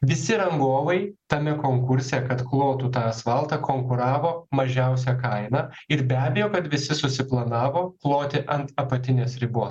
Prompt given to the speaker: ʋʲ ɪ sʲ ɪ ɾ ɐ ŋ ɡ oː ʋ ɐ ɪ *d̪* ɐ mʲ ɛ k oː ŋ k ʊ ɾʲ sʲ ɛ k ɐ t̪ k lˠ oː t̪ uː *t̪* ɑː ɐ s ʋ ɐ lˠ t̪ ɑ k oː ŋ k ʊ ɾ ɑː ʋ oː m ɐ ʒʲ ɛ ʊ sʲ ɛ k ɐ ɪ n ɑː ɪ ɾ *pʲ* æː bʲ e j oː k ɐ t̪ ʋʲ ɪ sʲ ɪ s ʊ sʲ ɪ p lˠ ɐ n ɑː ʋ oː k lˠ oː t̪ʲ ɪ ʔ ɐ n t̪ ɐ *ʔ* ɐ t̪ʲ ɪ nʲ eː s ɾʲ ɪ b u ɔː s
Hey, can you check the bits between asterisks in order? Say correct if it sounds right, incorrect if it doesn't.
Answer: incorrect: t̪, correct, incorrect: bʲ, incorrect: p

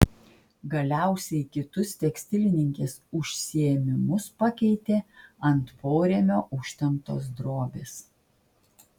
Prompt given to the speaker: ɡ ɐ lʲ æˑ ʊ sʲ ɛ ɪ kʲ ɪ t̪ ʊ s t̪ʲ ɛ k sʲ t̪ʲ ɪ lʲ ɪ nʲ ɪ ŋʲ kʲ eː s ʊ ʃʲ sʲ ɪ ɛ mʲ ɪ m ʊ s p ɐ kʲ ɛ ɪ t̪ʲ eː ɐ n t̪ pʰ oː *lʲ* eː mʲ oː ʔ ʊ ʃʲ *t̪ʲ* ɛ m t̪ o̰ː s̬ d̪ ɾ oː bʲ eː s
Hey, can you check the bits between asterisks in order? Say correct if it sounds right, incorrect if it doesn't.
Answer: incorrect: ɾʲ, correct

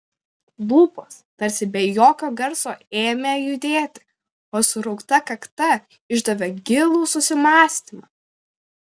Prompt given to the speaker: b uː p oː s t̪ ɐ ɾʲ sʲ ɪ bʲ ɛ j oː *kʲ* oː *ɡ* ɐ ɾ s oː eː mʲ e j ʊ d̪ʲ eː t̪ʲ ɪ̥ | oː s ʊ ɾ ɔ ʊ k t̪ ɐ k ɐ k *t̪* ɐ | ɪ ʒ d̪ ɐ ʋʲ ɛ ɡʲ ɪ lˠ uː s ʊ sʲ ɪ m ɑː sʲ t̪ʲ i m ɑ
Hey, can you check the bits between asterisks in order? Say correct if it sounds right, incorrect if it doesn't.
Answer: correct, correct, correct

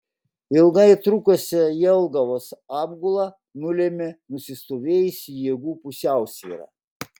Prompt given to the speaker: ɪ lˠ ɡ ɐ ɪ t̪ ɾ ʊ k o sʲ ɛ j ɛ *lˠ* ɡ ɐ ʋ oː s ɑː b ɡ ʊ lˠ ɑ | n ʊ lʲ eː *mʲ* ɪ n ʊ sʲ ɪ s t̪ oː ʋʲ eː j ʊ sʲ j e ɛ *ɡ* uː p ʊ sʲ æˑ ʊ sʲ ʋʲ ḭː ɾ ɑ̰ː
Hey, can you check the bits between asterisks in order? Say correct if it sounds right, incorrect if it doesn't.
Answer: correct, correct, correct

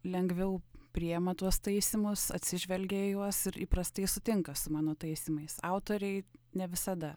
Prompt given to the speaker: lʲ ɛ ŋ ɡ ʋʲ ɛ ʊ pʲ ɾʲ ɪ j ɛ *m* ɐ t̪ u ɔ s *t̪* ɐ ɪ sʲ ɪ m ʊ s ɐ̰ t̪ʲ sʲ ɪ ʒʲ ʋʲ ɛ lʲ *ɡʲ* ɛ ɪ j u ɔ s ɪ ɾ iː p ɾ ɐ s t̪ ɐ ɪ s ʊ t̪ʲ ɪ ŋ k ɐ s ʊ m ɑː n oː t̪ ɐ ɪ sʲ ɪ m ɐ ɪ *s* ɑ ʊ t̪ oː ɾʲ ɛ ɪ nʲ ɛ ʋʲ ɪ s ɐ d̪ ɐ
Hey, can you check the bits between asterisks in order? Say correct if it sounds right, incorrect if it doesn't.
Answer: correct, correct, correct, correct

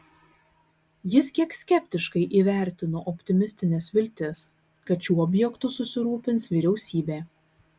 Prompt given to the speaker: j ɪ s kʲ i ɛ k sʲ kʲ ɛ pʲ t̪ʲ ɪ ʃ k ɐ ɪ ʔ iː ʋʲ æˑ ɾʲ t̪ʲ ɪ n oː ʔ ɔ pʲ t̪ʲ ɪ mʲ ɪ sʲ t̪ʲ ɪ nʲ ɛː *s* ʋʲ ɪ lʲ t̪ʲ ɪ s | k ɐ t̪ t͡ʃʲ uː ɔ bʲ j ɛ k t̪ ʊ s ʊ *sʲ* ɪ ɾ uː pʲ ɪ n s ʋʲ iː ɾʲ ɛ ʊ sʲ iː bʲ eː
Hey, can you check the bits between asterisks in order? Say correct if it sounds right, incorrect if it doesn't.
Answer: correct, correct

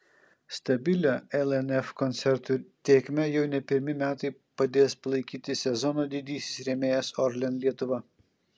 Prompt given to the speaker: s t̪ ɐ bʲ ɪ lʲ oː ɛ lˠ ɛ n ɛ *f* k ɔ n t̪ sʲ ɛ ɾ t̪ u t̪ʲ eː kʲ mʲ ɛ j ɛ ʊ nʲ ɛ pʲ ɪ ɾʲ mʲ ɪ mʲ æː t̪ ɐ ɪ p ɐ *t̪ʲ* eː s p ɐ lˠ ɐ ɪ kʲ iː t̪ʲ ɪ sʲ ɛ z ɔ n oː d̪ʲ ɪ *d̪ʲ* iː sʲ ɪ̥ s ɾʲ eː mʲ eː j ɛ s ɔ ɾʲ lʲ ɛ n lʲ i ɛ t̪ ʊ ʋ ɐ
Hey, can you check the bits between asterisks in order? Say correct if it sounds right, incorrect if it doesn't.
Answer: correct, incorrect: d̪ʲ, correct

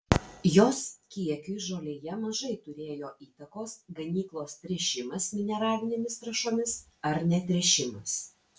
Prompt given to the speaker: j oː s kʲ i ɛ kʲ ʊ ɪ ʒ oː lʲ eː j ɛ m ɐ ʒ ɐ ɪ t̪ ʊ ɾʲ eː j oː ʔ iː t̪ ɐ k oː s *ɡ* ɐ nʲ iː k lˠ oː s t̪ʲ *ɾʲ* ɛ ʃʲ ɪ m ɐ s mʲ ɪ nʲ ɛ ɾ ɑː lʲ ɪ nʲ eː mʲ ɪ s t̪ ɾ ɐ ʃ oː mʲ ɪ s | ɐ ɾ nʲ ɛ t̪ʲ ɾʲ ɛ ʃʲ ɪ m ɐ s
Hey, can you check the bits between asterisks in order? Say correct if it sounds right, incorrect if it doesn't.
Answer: correct, correct

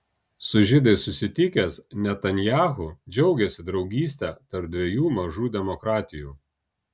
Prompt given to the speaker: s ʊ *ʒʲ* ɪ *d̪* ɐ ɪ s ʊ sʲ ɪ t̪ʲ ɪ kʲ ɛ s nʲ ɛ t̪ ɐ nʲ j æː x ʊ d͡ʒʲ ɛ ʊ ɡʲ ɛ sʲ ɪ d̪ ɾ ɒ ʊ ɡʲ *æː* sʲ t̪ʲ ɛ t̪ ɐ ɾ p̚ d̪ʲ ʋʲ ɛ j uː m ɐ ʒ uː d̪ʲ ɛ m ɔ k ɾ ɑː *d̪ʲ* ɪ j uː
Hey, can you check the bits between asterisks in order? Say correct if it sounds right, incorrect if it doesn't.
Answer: correct, correct, incorrect: iː, incorrect: t̪ʲ

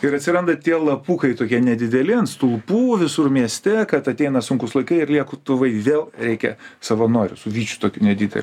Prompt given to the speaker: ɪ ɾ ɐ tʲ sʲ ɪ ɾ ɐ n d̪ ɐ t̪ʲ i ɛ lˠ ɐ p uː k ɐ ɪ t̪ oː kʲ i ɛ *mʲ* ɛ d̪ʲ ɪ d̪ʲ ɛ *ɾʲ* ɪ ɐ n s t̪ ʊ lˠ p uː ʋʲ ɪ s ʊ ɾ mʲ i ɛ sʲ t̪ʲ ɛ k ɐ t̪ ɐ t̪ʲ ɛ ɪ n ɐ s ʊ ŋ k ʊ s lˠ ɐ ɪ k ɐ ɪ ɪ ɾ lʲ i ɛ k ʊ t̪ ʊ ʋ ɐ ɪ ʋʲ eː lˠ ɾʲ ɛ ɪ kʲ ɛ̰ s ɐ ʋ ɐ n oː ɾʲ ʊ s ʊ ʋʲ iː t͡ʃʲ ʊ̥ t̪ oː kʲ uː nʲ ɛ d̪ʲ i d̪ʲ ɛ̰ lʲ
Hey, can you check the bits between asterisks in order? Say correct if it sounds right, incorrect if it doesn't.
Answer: incorrect: nʲ, incorrect: lʲ

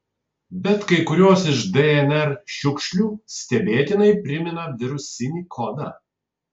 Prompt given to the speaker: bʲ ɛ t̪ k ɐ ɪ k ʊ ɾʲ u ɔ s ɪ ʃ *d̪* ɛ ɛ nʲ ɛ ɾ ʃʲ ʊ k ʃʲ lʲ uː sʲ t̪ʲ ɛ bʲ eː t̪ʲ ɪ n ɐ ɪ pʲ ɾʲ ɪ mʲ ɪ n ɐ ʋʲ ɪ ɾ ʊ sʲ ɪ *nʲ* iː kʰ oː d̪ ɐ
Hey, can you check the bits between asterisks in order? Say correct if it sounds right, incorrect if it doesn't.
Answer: correct, correct

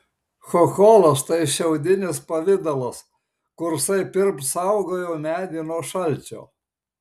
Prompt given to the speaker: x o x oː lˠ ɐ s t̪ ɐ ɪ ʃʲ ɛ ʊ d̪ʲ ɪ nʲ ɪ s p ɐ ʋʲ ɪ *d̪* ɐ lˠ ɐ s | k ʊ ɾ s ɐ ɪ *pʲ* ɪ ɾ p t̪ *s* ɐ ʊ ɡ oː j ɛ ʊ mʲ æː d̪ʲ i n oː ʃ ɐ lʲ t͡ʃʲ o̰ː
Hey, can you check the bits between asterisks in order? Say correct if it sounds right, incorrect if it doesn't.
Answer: correct, correct, correct

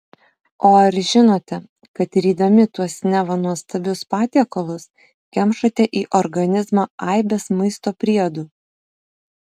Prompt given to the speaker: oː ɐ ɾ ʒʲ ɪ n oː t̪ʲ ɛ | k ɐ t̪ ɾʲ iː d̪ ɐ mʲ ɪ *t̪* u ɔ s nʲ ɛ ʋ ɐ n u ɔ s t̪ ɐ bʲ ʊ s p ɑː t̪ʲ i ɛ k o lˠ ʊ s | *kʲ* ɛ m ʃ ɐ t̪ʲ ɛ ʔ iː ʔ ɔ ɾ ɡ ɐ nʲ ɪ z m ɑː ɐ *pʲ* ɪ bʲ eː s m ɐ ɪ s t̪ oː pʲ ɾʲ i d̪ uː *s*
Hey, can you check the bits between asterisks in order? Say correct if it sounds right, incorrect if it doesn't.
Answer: correct, correct, incorrect: none, incorrect: none

